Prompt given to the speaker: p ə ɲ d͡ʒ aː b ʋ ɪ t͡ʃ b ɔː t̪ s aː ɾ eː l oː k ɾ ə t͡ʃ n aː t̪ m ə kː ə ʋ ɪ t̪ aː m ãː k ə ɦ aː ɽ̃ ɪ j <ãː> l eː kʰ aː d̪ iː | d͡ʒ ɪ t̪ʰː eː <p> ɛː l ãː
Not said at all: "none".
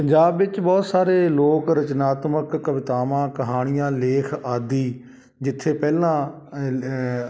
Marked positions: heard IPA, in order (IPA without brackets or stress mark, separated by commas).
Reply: ãː, p